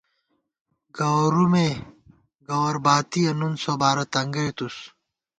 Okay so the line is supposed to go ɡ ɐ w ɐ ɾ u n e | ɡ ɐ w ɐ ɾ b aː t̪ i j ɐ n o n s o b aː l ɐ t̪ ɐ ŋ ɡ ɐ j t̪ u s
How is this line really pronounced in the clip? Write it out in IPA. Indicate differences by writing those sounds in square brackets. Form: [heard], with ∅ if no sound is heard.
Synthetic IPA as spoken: ɡ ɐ w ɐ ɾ u [m] e | ɡ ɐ w ɐ ɾ b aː t̪ i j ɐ n [u] n s o b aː [ɾ] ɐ t̪ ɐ ŋ ɡ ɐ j t̪ u s